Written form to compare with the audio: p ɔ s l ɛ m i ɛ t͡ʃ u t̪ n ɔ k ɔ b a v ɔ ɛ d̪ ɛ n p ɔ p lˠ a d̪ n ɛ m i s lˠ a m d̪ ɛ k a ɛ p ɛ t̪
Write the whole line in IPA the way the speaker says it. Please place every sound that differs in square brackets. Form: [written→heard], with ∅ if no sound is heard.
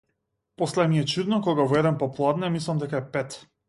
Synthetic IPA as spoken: p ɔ s l ɛ m i ɛ t͡ʃ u [t̪→d̪] n ɔ k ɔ [b→ɡ] a v ɔ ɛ d̪ ɛ n p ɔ p lˠ a d̪ n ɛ m i s lˠ a m d̪ ɛ k a ɛ p ɛ t̪